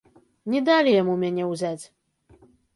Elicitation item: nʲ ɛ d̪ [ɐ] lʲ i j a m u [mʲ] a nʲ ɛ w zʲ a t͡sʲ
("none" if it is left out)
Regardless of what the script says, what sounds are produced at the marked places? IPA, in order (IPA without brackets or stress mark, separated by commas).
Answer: a, mʲ